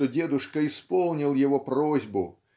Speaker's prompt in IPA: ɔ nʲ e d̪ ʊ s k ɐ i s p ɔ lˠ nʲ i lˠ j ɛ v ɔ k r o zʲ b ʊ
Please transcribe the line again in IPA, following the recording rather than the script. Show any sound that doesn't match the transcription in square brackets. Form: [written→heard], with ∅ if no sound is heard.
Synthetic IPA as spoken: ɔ [nʲ→dʲ] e d̪ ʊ [s→ʂ] k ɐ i s p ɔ lˠ nʲ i lˠ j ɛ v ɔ [k→p] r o zʲ b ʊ